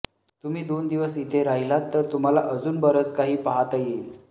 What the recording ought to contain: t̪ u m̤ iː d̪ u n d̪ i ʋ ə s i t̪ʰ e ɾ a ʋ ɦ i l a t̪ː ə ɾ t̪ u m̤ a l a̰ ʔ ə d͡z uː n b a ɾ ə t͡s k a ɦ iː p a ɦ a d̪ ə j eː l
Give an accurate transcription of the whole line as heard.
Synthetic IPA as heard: t̪ u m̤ iː d̪ o n d̪ i ʋ ə s i t̪ʰ e ɾ a ɦ i l a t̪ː ə ɾ t̪ u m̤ a l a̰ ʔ ə d͡z uː n b ə ɾ ə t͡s k a ɦ iː p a ɦ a t̪ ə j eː l